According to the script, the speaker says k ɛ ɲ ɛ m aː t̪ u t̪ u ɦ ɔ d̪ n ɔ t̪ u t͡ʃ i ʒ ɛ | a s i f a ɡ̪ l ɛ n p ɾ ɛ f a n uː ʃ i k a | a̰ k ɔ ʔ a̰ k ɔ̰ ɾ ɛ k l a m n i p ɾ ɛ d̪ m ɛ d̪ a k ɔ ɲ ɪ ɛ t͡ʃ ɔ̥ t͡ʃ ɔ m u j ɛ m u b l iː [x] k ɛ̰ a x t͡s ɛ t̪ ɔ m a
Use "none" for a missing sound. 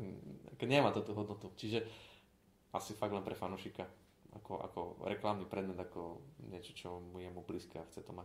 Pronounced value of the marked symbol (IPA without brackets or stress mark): s